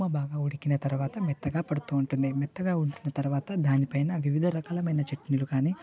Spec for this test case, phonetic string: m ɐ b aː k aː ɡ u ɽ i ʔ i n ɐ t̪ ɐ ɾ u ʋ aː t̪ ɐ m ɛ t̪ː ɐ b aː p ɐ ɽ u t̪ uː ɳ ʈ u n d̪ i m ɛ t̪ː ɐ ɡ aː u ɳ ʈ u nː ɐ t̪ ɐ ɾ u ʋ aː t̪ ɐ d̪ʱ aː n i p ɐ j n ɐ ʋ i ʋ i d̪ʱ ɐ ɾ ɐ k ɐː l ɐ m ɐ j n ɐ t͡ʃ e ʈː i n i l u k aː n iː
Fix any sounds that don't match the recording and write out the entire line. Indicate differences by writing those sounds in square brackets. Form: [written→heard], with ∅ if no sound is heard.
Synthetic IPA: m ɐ b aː [k→ɡ] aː [ɡ→∅] u ɽ i [ʔ→k] i n ɐ t̪ ɐ ɾ u ʋ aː t̪ ɐ m ɛ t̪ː ɐ [b→ɡ] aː p ɐ ɽ u t̪ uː ɳ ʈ u n d̪ i m ɛ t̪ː ɐ ɡ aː u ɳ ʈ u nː ɐ t̪ ɐ ɾ u ʋ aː t̪ ɐ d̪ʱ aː n i p ɐ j n ɐ ʋ i ʋ i d̪ʱ ɐ ɾ ɐ k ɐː l ɐ m ɐ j n ɐ t͡ʃ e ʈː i n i l u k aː n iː

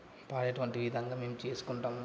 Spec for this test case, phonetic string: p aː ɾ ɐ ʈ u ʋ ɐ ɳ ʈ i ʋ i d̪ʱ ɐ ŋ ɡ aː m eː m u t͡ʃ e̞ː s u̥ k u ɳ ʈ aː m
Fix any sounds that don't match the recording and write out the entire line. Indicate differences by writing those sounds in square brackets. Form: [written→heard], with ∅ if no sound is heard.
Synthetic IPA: p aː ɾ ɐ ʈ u ʋ ɐ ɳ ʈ i ʋ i d̪ʱ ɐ ŋ ɡ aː m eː m u t͡ʃ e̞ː s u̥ k u ɳ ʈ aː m

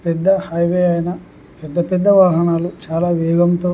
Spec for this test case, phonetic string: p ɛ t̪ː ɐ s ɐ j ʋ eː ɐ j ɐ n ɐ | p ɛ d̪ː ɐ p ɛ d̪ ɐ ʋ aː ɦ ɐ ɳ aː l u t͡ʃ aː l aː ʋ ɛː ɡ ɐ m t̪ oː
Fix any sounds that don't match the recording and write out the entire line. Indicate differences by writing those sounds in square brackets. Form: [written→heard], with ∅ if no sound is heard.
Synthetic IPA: p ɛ [t̪ː→d̪ː] ɐ [s→h] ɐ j ʋ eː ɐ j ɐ n ɐ | p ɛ d̪ː ɐ p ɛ [d̪→d̪ː] ɐ ʋ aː ɦ ɐ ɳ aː l u t͡ʃ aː l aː ʋ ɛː ɡ ɐ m t̪ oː

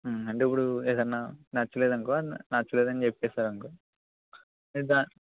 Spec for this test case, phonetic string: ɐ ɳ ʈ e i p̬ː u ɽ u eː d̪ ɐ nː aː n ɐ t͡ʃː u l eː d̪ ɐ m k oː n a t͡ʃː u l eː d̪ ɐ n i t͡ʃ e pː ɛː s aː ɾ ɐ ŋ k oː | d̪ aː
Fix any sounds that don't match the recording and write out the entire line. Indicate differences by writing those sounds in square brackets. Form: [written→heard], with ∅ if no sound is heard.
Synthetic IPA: ɐ ɳ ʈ e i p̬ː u ɽ u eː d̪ ɐ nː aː n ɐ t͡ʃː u l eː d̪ ɐ [m→ŋ] k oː n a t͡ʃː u l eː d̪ ɐ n i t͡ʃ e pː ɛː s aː ɾ ɐ ŋ k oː | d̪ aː

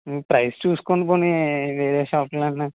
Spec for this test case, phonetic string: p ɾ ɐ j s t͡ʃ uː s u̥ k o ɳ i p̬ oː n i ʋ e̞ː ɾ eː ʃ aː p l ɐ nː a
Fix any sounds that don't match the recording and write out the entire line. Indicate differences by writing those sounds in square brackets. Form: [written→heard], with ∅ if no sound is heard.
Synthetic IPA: p ɾ ɐ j s t͡ʃ uː s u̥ k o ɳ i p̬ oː n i ʋ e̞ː ɾ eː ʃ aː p l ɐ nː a

